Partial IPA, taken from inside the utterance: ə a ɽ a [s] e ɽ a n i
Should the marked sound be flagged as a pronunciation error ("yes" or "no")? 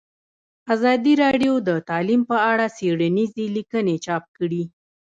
no